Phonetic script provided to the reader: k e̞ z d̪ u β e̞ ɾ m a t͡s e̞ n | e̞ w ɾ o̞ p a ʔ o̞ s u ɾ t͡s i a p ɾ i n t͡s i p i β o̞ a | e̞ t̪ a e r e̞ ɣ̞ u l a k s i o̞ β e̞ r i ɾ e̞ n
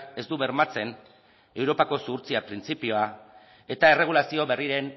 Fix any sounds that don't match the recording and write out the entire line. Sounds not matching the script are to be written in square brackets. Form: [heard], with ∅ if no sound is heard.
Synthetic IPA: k e̞ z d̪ u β e̞ ɾ m a t͡s e̞ n | e̞ w ɾ o̞ p a [k] o̞ s u ɾ t͡s i a p ɾ i n t͡s i p i [∅] o̞ a | e̞ t̪ a e r e̞ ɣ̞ u l a [∅] s i o̞ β e̞ r i ɾ e̞ n